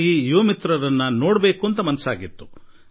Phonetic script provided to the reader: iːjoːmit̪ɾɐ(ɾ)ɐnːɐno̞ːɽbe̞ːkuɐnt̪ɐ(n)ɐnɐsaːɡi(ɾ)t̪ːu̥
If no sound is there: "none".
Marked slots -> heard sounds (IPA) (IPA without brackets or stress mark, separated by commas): ɾ, m, none